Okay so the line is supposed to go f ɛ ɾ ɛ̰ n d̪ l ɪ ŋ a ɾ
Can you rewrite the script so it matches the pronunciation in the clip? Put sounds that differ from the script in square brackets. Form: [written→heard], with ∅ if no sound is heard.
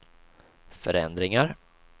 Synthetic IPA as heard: f [ɛ→œ] ɾ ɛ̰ n d̪ [l→ɾ] ɪ ŋ a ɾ